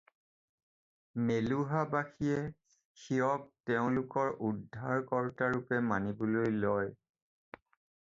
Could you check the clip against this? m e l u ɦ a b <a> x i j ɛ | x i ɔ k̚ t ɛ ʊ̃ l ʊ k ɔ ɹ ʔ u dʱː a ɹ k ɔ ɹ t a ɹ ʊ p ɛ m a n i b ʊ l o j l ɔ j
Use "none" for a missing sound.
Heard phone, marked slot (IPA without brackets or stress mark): a